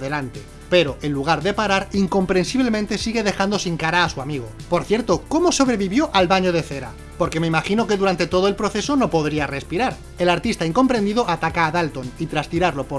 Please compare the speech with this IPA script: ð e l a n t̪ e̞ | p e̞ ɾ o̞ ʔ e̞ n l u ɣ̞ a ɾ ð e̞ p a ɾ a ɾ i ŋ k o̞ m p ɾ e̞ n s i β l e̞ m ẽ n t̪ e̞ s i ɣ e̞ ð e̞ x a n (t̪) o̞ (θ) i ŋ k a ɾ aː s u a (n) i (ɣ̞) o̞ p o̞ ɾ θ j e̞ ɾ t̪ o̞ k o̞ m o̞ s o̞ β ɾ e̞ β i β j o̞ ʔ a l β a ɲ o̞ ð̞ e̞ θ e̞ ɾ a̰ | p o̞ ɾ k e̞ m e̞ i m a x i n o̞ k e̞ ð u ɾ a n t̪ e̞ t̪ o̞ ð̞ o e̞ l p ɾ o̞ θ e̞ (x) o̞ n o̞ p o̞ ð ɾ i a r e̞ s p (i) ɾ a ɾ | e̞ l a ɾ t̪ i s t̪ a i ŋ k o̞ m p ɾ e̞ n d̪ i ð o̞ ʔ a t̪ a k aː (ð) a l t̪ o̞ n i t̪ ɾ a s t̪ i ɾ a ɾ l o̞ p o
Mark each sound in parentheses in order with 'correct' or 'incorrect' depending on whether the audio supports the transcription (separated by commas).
incorrect, incorrect, incorrect, correct, incorrect, correct, correct